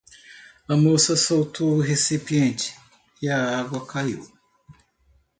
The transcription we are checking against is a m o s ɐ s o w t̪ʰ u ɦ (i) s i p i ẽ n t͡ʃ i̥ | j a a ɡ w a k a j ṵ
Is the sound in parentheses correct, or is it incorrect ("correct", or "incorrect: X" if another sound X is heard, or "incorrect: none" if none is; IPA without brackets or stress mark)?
incorrect: e